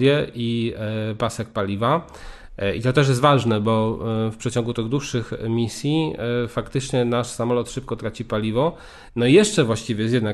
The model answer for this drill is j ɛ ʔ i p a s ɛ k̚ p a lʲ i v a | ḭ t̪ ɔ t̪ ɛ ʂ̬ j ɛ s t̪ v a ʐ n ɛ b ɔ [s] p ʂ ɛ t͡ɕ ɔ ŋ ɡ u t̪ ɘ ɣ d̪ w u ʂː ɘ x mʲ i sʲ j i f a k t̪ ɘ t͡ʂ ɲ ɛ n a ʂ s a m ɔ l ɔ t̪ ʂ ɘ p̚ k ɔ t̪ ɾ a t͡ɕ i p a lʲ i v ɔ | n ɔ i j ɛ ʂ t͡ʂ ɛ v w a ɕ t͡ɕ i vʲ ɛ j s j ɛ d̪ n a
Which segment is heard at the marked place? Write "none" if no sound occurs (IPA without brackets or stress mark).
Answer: f